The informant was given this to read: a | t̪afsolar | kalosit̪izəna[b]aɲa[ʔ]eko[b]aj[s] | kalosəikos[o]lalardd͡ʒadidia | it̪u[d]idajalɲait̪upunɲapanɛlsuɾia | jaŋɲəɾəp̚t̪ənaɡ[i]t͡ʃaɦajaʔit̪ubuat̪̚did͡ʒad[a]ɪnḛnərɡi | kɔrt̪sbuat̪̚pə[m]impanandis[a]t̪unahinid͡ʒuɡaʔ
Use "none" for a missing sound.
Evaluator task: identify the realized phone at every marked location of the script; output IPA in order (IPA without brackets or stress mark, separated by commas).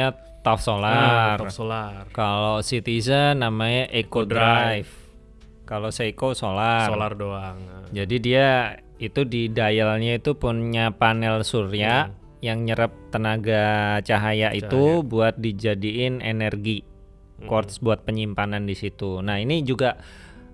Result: m, ʔ, d, f, o, d, a, i, ɲ, i